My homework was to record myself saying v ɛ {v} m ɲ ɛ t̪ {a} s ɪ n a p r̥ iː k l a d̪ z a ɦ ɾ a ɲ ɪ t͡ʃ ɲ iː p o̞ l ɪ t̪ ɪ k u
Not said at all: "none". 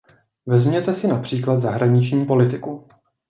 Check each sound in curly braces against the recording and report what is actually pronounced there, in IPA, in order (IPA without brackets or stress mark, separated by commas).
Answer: z, ɛ